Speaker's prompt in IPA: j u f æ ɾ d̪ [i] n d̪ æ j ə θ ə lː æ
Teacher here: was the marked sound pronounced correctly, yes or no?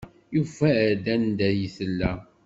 no